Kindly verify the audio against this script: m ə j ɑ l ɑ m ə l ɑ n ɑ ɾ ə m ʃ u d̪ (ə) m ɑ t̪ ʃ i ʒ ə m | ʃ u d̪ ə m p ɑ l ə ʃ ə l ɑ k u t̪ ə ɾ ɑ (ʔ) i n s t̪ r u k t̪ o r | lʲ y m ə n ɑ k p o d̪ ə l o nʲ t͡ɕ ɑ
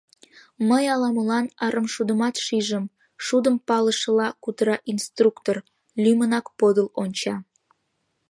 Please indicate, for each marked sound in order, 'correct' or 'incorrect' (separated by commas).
correct, correct